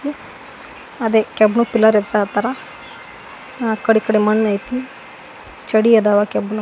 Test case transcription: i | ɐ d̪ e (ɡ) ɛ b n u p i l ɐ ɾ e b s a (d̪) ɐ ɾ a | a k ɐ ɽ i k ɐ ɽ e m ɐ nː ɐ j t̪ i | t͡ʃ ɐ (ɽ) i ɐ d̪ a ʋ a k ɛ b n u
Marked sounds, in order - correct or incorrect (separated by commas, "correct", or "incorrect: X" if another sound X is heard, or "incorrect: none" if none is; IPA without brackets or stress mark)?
incorrect: k, incorrect: t̪, correct